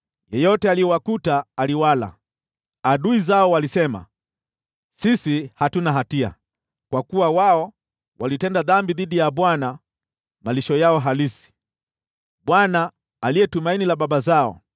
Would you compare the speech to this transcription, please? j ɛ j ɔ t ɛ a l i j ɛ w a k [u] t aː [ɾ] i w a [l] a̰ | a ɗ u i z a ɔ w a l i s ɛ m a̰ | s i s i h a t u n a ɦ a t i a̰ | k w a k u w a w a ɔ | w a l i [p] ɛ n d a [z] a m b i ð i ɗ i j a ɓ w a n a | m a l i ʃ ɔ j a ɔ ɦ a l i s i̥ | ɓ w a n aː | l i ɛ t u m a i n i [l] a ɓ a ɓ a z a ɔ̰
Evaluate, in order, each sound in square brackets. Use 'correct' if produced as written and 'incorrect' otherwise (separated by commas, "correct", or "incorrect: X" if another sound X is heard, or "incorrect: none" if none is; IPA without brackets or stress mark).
correct, incorrect: l, correct, incorrect: t, incorrect: ð, correct